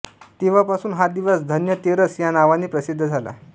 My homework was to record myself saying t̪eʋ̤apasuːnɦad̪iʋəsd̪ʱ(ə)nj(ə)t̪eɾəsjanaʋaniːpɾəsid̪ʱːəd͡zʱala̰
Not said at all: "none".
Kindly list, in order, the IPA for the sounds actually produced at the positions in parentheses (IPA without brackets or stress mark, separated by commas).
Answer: ə, ə